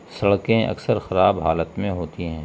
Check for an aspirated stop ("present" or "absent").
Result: absent